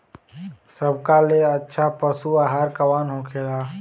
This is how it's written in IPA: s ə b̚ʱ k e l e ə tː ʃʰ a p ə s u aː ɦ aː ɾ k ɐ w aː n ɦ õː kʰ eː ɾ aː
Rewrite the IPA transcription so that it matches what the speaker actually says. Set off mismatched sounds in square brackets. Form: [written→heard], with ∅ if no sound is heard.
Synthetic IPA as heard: s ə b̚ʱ k [e→a] l e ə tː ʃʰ a p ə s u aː ɦ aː ɾ k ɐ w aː n ɦ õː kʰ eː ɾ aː